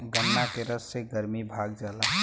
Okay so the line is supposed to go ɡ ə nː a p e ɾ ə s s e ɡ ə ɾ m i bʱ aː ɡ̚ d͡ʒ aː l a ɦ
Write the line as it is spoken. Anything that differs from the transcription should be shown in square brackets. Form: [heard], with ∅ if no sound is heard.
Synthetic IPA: ɡ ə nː a [k] e ɾ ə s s e ɡ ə ɾ m i bʱ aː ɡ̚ d͡ʒ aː l a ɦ